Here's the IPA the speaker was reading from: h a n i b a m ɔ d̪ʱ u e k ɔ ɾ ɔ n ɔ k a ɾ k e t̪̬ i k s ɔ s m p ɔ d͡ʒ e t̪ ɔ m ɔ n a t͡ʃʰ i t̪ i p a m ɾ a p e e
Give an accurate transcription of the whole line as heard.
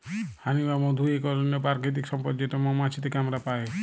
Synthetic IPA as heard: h a n i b a m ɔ d̪ʱ u e k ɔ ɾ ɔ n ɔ p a ɾ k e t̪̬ i k s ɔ m p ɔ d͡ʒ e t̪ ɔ m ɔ m a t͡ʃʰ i t̪ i k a m ɾ a p a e